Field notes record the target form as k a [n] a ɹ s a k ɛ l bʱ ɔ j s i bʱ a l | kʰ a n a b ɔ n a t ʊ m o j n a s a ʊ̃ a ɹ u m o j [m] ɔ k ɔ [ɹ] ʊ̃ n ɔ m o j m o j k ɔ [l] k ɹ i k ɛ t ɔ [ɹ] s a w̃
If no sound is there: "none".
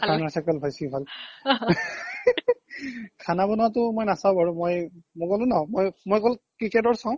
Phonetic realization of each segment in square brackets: n, m, l, l, ɹ

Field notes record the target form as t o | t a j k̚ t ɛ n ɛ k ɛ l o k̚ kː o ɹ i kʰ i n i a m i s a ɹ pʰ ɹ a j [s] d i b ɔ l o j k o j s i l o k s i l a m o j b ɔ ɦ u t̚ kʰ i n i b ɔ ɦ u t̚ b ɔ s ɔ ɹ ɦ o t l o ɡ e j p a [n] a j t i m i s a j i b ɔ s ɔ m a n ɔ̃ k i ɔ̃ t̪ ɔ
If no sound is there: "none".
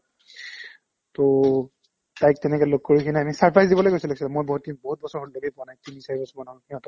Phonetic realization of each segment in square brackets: z, n

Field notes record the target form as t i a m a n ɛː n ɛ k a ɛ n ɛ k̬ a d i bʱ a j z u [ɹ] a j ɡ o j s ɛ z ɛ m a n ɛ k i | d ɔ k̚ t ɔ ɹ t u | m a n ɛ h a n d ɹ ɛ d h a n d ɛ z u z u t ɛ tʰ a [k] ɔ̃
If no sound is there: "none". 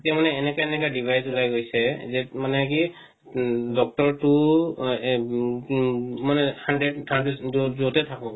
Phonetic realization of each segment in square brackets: l, k

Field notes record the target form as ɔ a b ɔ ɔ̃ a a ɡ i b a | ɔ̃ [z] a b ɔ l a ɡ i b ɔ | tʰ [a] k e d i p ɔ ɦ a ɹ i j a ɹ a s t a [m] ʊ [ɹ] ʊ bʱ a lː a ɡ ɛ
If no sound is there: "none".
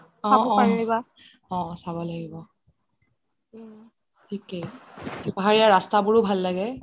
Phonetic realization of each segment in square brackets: s, i, b, ɹ

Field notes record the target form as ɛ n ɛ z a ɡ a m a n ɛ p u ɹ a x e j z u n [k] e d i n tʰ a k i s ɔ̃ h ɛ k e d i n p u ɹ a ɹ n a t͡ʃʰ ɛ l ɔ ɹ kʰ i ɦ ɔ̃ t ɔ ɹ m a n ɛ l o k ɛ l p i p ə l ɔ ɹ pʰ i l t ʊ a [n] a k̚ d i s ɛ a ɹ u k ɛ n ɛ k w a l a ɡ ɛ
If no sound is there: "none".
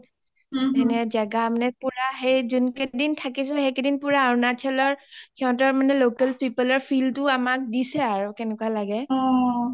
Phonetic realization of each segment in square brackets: k, m

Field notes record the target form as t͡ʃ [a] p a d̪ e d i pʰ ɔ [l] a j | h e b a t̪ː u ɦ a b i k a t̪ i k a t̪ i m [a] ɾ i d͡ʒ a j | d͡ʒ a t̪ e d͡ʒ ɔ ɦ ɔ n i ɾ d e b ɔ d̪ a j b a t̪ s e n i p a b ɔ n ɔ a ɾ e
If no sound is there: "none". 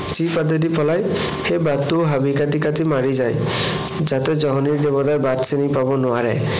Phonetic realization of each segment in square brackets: i, l, a

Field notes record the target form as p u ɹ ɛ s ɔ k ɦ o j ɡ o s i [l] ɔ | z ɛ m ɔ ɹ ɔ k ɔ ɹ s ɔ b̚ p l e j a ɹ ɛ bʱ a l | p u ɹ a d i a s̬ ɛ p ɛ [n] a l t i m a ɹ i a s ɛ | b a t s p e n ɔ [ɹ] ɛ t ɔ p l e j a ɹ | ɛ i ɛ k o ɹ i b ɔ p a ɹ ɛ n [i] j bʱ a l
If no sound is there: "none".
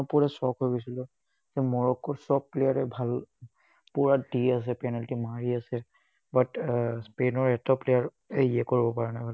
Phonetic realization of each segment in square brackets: l, n, ɹ, a

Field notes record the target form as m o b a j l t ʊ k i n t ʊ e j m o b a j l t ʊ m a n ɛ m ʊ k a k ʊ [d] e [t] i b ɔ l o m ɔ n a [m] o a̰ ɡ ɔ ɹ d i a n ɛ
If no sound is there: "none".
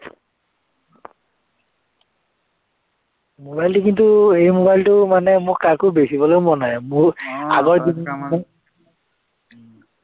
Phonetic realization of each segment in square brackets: b, s, m

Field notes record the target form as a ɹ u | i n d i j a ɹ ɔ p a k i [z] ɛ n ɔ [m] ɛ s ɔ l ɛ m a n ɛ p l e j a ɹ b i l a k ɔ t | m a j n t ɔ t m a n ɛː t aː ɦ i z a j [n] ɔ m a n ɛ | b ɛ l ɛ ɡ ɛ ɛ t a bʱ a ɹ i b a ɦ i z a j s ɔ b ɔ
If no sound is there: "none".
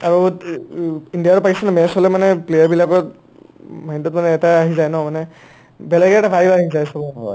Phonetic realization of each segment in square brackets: s, m, n

